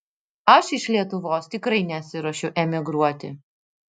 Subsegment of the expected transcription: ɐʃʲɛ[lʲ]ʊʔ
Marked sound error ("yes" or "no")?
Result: yes